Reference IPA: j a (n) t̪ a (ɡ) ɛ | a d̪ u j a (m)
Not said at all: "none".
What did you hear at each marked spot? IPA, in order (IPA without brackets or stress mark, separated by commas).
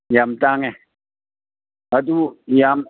m, ŋ, m